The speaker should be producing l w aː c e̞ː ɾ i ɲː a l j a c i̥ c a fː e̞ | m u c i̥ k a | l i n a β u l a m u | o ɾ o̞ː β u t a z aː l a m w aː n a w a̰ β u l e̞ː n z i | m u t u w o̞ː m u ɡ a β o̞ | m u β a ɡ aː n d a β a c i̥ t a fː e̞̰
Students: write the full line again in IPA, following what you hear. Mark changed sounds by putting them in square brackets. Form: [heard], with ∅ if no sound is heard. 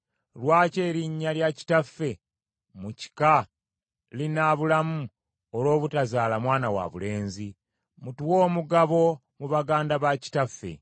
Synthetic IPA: l w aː c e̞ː ɾ i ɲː a l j a c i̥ [t] a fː e̞ | m u c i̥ k a | l i n a β u l a m u | o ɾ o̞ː β u t a z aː l a m w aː n a w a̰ β u l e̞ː n z i | m u t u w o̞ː m u ɡ a β o̞ | m u β a ɡ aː n d a β a c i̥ t a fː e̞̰